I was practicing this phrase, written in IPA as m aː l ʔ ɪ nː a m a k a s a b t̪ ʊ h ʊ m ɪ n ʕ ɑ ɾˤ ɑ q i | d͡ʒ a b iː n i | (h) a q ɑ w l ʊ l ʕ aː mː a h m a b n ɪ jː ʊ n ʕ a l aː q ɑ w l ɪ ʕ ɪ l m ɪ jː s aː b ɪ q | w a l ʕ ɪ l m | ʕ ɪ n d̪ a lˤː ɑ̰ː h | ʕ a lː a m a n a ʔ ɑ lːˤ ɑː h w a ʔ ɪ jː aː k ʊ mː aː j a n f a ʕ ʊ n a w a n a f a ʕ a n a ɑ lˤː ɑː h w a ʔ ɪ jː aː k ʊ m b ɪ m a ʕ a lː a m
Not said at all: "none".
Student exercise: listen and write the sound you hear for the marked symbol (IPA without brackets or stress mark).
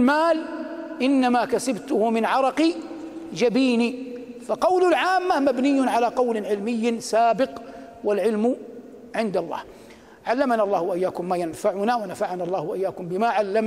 f